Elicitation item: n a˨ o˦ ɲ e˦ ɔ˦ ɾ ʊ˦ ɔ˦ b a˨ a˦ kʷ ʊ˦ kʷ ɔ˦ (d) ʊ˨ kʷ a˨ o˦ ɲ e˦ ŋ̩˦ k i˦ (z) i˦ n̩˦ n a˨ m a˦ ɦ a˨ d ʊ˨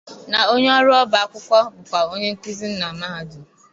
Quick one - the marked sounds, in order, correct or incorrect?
incorrect: b, correct

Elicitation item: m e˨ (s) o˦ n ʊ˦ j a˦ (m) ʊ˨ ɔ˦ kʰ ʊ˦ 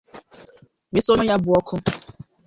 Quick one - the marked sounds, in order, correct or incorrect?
correct, incorrect: b

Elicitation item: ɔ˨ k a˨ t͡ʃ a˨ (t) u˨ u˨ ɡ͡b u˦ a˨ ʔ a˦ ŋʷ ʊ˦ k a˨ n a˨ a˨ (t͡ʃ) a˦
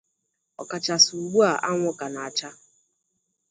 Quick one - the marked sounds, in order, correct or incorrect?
incorrect: s, correct

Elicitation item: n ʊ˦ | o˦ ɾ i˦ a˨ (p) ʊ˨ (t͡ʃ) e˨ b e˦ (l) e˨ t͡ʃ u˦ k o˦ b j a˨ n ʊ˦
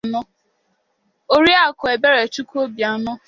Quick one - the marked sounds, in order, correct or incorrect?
incorrect: k, incorrect: none, incorrect: ɾ

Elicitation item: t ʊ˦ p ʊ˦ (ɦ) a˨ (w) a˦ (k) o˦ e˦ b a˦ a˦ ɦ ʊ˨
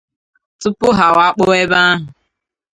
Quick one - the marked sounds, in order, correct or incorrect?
correct, correct, incorrect: k͡p

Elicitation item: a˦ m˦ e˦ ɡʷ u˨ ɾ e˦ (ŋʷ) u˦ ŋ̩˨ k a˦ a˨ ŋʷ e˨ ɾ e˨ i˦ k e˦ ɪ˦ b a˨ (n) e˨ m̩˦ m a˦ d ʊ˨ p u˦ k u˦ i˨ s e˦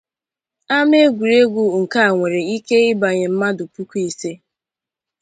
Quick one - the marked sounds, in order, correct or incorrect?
incorrect: ɡʷ, incorrect: ɲ

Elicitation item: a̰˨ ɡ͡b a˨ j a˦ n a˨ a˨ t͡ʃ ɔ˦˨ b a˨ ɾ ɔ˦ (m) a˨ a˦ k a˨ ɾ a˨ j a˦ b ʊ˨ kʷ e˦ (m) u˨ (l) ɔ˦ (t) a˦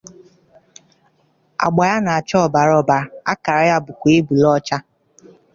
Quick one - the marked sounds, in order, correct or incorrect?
incorrect: b, incorrect: b, correct, incorrect: t͡ʃ

